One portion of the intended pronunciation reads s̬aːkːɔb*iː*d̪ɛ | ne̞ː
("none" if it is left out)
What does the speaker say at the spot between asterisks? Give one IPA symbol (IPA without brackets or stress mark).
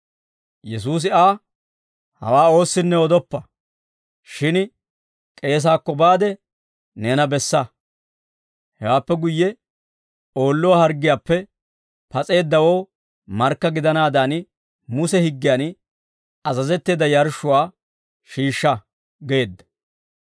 aː